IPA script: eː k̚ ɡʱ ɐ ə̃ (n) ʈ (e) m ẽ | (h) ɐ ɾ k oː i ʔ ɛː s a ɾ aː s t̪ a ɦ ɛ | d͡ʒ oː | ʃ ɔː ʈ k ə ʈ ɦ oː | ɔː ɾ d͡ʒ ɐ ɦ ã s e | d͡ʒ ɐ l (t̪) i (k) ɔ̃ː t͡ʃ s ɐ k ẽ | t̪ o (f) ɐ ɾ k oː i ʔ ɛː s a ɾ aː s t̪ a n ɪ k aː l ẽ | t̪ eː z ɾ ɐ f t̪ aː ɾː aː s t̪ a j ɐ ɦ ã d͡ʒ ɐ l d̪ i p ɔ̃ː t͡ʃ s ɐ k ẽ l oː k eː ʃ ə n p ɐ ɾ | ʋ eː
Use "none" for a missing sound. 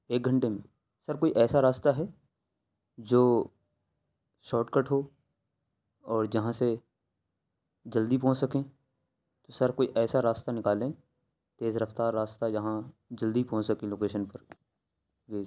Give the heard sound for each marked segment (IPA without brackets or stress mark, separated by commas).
ɳ, e, s, d̪, p, s